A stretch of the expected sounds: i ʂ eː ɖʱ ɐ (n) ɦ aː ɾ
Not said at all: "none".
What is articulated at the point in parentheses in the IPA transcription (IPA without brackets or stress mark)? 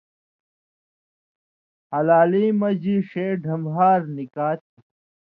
m